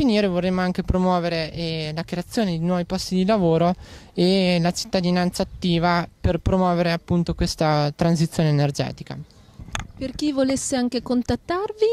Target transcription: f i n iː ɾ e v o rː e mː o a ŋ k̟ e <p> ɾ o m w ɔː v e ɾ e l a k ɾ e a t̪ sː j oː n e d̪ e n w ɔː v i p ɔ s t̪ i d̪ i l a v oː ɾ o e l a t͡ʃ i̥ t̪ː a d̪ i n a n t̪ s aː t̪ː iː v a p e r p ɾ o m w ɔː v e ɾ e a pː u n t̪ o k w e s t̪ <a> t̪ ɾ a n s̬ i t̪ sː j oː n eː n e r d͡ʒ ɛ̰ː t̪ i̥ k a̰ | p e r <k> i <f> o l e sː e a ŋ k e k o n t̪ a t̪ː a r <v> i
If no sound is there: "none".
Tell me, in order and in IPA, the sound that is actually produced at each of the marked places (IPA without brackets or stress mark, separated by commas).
p, a, k, v, v